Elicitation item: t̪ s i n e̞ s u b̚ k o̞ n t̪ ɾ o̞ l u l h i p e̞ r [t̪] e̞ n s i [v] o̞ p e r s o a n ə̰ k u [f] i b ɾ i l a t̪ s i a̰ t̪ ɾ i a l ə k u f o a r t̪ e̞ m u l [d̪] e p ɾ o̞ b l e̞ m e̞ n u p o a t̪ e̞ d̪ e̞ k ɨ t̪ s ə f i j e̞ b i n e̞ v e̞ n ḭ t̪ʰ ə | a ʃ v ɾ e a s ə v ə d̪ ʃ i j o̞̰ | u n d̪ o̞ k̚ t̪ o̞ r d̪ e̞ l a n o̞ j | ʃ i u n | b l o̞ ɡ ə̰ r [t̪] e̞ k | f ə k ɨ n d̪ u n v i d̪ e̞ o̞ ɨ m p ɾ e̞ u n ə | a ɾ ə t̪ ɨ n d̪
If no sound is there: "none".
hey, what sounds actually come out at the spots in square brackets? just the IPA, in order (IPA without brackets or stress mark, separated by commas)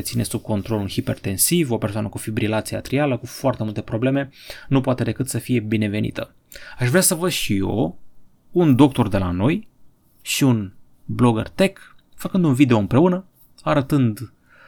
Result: t̪, v, f, t̪, t̪